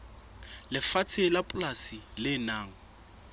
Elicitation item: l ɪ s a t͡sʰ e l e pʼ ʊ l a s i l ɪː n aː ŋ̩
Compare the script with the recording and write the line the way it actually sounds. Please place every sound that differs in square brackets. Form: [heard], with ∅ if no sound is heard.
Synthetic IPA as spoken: l ɪ [f] a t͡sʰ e l [a] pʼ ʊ l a s i l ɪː n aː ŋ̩